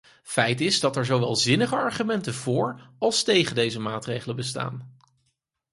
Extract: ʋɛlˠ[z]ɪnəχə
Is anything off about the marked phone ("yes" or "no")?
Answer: no